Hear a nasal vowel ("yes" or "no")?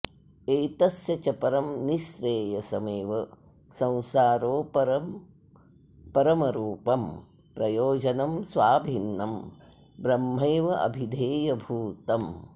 yes